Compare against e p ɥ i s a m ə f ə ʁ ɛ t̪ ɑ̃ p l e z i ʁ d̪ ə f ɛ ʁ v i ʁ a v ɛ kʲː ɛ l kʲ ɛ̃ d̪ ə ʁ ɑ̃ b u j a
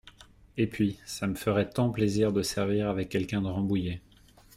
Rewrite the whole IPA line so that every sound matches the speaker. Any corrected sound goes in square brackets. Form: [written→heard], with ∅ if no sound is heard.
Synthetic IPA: e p ɥ i s a m ə f ə ʁ ɛ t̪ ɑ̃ p l e z i ʁ d̪ ə [f→s] ɛ ʁ v i ʁ a v ɛ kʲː ɛ l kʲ ɛ̃ d̪ ə ʁ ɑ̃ b u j [a→e]